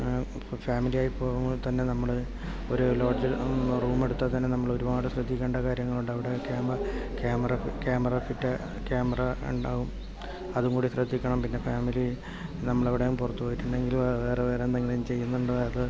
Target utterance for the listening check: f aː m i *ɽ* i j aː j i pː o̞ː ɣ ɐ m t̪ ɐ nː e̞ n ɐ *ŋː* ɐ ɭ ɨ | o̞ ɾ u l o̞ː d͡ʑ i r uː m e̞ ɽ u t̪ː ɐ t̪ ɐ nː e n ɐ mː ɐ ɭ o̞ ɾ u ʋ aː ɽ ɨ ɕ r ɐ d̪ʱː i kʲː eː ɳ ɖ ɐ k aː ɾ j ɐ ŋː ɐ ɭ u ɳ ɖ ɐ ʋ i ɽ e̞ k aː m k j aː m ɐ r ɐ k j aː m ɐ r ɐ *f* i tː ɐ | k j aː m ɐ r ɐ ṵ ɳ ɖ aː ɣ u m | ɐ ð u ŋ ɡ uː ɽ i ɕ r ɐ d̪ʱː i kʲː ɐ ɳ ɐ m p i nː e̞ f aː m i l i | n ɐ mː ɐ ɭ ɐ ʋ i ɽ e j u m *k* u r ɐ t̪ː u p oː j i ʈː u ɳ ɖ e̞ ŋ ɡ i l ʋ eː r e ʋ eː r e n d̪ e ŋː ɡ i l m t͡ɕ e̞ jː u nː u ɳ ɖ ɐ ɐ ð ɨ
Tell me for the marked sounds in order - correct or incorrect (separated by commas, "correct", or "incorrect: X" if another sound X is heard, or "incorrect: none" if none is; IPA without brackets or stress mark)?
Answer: incorrect: l, incorrect: mː, correct, incorrect: p